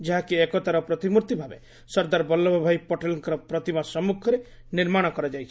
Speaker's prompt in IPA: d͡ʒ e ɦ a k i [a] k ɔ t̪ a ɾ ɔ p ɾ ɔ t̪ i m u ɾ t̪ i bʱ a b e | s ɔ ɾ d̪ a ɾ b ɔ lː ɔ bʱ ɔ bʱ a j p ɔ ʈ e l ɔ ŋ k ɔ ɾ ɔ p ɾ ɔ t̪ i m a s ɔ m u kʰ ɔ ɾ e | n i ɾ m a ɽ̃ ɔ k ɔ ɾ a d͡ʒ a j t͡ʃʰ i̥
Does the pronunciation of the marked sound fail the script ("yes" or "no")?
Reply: yes